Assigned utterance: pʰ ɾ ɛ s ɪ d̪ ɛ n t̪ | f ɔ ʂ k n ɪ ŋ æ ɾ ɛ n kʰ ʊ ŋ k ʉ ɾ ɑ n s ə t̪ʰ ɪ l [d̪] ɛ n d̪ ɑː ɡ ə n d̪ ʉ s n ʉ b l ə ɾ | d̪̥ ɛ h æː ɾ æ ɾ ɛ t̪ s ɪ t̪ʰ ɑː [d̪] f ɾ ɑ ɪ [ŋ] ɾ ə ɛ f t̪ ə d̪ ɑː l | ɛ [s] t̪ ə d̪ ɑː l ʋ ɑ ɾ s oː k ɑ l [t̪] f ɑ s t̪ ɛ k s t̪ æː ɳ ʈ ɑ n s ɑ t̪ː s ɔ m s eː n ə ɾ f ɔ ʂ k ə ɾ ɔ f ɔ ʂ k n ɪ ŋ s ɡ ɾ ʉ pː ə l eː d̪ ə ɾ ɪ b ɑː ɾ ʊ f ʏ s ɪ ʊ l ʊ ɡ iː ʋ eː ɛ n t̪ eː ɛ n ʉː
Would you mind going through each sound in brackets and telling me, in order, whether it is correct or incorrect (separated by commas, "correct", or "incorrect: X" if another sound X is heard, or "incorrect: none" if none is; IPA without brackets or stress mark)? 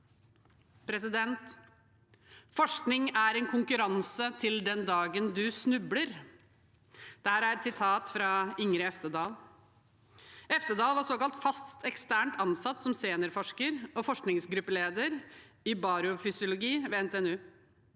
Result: correct, incorrect: t̪, correct, incorrect: f, correct